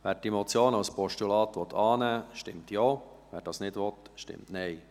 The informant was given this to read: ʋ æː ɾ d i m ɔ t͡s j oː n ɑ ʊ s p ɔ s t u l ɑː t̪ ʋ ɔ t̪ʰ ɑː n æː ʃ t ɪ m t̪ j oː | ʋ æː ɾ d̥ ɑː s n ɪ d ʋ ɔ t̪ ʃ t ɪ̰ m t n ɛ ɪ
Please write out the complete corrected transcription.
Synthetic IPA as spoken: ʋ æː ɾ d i m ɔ t͡s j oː n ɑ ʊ s p ɔ ʃ t u l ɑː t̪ ʋ ɔ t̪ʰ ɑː n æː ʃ t ɪ m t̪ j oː | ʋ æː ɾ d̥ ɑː s n ɪ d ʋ ɔ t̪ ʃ t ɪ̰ m t n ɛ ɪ